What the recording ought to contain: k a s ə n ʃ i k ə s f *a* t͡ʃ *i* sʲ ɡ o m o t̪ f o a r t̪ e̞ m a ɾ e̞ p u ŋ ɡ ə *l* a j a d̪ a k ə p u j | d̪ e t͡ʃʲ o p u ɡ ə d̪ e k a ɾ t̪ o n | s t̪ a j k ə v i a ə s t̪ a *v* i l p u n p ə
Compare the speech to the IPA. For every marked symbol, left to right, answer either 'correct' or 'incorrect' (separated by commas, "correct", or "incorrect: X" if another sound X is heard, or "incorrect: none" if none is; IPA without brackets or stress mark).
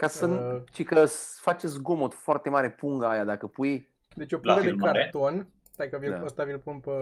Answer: correct, incorrect: e, incorrect: none, correct